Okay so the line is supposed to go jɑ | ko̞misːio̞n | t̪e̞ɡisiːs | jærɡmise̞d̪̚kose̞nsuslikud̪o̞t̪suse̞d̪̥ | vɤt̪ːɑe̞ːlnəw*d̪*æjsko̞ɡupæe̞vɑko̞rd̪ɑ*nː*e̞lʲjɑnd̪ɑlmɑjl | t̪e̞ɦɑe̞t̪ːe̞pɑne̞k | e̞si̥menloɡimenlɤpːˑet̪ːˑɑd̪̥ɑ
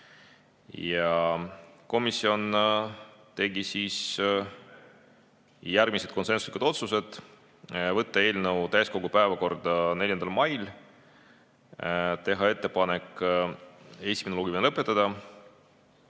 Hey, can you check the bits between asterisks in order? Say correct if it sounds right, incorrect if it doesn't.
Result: incorrect, incorrect

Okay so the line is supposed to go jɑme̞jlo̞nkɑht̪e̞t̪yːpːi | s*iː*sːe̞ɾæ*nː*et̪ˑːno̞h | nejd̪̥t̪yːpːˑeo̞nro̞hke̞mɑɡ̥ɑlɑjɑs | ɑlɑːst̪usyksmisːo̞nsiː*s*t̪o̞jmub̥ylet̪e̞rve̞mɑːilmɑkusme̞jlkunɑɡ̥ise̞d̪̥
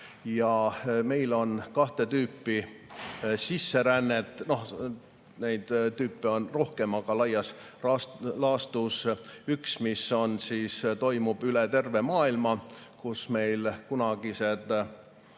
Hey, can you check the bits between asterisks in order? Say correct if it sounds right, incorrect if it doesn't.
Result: incorrect, correct, correct

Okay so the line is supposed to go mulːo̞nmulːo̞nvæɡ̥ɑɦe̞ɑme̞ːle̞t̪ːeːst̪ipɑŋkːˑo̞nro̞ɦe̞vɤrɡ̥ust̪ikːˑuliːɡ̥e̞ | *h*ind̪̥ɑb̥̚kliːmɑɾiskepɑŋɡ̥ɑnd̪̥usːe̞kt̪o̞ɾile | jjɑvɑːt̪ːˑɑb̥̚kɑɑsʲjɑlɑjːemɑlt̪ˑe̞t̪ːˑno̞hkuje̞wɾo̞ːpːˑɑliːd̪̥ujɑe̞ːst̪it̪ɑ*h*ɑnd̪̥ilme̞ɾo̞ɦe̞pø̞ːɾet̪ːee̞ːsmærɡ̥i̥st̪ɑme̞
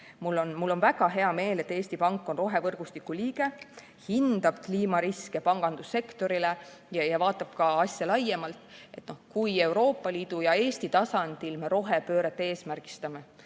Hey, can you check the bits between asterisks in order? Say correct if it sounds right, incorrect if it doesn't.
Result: correct, incorrect

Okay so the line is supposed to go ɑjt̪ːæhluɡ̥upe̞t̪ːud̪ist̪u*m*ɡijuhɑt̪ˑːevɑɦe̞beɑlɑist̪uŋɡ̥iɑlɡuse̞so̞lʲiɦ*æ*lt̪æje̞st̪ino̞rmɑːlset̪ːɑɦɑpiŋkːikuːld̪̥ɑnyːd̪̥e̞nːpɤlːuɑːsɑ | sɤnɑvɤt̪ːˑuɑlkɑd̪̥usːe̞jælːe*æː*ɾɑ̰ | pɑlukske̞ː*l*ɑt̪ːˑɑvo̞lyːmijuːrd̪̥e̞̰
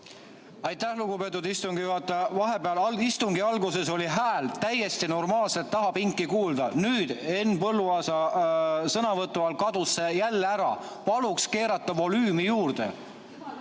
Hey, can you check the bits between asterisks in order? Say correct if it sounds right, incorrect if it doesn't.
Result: incorrect, incorrect, incorrect, incorrect

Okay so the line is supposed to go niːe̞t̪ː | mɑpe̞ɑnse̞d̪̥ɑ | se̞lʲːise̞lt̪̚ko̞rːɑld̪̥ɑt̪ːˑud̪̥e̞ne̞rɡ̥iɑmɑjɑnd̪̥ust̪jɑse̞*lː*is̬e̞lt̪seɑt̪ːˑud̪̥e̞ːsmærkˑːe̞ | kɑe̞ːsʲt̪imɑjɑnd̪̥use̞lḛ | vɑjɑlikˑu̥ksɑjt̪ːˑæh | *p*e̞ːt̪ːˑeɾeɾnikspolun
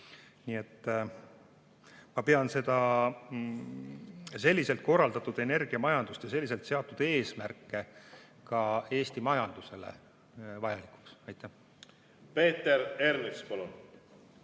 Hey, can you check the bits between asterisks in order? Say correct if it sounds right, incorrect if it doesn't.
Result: correct, correct

